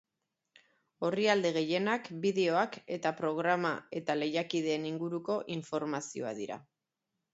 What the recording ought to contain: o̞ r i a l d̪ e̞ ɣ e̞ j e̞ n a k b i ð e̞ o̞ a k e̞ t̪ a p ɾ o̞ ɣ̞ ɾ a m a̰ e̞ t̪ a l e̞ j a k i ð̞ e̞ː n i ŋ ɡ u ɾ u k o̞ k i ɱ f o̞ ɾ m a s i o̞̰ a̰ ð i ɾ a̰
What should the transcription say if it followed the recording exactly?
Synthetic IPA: o̞ r i a l d̪ e̞ ɣ e̞ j e̞ n a k b i ð e̞ o̞ a k e̞ t̪ a p ɾ o̞ ɣ̞ ɾ a m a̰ e̞ t̪ a l e̞ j a k i ð̞ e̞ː n i ŋ ɡ u ɾ u k o̞ ʔ i ɱ f o̞ ɾ m a s i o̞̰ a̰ ð i ɾ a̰